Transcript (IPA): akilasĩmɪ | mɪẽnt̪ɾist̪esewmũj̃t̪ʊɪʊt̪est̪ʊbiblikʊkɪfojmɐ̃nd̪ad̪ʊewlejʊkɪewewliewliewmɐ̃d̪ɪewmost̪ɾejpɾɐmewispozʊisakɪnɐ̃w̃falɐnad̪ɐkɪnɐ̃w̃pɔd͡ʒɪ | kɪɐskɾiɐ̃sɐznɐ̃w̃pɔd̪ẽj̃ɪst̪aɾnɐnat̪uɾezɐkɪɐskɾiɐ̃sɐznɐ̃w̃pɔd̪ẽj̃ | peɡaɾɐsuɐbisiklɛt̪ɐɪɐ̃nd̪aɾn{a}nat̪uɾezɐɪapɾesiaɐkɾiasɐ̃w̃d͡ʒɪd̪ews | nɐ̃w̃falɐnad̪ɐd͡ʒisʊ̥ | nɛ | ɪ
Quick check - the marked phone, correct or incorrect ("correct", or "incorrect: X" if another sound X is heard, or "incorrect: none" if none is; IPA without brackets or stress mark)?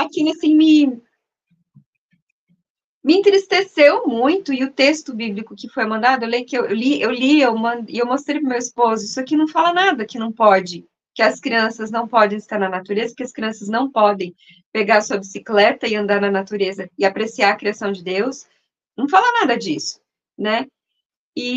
incorrect: ɐ